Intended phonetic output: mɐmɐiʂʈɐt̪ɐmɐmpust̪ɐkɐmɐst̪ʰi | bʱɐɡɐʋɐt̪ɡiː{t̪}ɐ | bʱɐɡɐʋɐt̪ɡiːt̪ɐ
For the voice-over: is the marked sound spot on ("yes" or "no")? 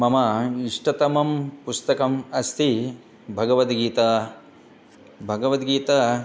yes